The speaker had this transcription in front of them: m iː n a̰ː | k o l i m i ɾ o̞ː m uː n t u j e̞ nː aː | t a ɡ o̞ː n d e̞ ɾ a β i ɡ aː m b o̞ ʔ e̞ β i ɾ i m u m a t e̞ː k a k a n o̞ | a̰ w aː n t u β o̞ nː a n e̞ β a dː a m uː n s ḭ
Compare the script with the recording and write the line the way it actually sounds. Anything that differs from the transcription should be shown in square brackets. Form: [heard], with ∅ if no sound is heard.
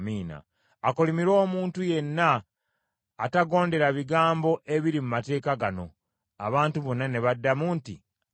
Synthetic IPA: m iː n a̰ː | k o l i m i ɾ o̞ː m uː n t u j e̞ nː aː | t a ɡ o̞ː n d e̞ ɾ a β i ɡ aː m b o̞ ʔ e̞ β i ɾ i m u m a t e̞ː k a [ɡ] a n o̞ | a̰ [β] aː n t u β o̞ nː a n e̞ β a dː a m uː n [t] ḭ